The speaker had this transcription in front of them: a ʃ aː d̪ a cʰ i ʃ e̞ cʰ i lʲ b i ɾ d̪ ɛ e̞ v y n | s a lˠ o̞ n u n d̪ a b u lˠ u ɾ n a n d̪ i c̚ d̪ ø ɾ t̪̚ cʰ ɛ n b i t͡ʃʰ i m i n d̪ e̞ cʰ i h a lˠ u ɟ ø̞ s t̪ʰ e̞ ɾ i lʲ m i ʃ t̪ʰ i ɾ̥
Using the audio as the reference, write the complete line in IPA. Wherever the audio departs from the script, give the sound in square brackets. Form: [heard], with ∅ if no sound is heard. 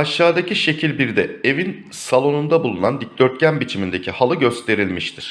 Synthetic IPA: a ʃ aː d̪ a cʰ i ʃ e̞ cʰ i lʲ b i ɾ d̪ ɛ e̞ v [i] n | s a lˠ o̞ n u n d̪ a b u lˠ u [∅] n a n d̪ i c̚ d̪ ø ɾ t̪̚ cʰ [æ] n b i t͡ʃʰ i m i n d̪ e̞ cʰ i h a lˠ [ɯ] ɟ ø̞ s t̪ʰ e̞ ɾ i lʲ m i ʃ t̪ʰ i ɾ̥

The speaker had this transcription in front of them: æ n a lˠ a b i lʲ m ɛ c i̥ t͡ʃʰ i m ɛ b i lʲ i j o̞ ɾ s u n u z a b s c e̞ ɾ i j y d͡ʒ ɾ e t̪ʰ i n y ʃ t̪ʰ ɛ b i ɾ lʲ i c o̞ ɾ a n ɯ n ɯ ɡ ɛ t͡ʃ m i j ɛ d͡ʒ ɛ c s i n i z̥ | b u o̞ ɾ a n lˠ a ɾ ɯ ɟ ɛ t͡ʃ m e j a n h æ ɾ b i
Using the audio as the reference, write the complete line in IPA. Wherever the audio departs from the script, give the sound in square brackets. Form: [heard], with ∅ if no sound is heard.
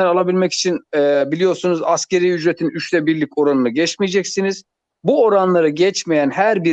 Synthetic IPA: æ n a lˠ a b i lʲ m ɛ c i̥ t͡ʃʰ i [n] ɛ b i lʲ i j o̞ ɾ s u n u z a [∅] s c e̞ ɾ i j y d͡ʒ ɾ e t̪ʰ i n y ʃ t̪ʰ ɛ b i ɾ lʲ i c o̞ ɾ a n ɯ n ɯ [ɟ] ɛ t͡ʃ m i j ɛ d͡ʒ ɛ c s i n i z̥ | b u o̞ ɾ a n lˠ a ɾ ɯ ɟ ɛ t͡ʃ m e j [æ] n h æ ɾ b i

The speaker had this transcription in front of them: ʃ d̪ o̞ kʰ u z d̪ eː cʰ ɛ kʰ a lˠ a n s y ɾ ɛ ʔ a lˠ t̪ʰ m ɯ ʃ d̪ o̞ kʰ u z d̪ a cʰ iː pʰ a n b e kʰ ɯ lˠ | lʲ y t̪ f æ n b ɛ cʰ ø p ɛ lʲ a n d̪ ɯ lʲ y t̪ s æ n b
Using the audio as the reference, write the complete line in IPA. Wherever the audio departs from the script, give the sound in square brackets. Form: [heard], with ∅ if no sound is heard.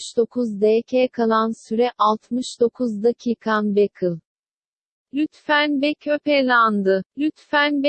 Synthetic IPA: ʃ d̪ o̞ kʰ u z d̪ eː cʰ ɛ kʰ a lˠ a n s y ɾ ɛ ʔ a lˠ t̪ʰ m ɯ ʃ d̪ o̞ kʰ u z d̪ a cʰ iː [kʰ] a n b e kʰ ɯ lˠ | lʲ y t̪ f æ n b ɛ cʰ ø p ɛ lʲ a n d̪ ɯ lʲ y t̪ [f] æ n b

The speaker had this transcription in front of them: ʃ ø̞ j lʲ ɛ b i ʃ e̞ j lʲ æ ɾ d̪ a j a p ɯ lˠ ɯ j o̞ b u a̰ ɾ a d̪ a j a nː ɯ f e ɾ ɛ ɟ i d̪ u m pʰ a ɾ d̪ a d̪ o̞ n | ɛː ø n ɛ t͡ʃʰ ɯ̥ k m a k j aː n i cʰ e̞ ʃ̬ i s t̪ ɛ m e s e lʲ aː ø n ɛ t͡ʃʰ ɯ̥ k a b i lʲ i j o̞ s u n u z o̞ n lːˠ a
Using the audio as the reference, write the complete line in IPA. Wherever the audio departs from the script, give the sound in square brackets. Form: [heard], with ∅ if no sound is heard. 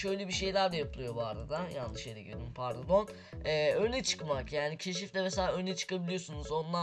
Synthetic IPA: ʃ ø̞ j lʲ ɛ b i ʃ e̞ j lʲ æ ɾ d̪ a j a p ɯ lˠ ɯ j o̞ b u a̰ ɾ a d̪ a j a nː ɯ [ʃ] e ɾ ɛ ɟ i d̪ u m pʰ a ɾ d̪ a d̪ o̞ n | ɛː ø n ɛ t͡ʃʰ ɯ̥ k m a k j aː n i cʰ e̞ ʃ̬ i [f] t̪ ɛ m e s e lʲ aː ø n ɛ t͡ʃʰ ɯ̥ k a b i lʲ i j o̞ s u n u z o̞ n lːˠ a

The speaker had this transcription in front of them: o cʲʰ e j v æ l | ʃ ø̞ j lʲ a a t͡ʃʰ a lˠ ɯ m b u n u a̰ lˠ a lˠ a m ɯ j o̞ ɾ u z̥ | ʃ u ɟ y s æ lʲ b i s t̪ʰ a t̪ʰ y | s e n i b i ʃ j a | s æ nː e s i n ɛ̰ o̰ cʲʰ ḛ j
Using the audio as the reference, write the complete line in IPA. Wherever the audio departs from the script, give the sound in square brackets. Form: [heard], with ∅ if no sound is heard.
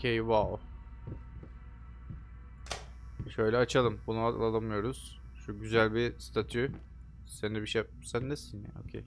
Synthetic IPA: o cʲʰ e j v [a] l | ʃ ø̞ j lʲ [ɛ] a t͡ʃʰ a lˠ ɯ m b u n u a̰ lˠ a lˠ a m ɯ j o̞ ɾ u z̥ | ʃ u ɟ y [z] æ lʲ b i s t̪ʰ a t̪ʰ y | s e n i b i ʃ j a | s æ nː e s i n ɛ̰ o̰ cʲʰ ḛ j

